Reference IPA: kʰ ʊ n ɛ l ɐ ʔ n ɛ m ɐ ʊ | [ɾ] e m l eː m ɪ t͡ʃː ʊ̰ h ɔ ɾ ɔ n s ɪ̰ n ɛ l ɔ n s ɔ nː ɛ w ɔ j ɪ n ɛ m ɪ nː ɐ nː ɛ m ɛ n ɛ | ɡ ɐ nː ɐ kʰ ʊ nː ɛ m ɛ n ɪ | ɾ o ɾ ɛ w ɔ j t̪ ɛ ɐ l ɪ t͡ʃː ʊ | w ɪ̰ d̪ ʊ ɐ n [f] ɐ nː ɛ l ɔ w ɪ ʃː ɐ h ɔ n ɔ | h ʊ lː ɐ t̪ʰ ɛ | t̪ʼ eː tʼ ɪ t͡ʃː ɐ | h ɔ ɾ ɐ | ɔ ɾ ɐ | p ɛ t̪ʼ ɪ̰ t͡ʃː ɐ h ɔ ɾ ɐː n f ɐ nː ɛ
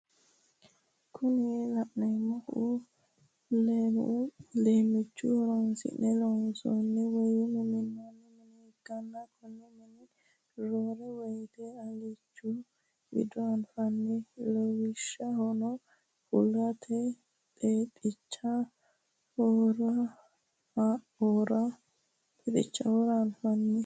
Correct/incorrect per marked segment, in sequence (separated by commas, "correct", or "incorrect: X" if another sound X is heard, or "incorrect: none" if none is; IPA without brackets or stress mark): incorrect: l, correct